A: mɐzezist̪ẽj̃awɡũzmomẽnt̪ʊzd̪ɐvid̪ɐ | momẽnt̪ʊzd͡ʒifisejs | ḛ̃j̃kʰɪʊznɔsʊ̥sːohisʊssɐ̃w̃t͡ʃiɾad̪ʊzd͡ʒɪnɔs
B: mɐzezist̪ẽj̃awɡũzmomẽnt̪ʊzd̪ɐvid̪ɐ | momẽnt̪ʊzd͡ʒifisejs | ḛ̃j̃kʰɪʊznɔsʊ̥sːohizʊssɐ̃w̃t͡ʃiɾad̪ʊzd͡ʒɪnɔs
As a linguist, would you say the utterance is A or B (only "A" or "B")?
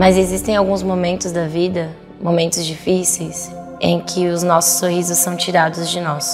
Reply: B